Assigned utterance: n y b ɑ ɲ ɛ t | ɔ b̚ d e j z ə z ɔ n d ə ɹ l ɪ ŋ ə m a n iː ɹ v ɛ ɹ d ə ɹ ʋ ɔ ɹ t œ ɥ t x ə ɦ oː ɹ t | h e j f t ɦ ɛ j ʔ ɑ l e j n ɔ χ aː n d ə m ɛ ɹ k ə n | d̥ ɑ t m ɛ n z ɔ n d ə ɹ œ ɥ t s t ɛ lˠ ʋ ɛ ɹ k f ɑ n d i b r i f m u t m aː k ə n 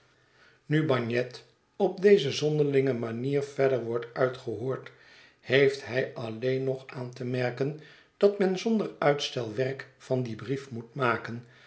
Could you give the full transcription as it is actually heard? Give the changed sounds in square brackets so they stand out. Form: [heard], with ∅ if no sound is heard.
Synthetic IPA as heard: n y b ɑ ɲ ɛ t | ɔ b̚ d e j z ə z ɔ n d ə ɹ l ɪ ŋ ə m a n iː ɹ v ɛ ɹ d ə ɹ ʋ ɔ ɹ t œ ɥ t [χ] ə ɦ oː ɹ t | h e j f t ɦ ɛ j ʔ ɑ l e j n ɔ χ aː n [t] ə m ɛ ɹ k ə n | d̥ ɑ t m ɛ n z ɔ n d ə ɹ œ ɥ t s t ɛ lˠ ʋ ɛ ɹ k f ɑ n d i b r i f m u t m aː k ə n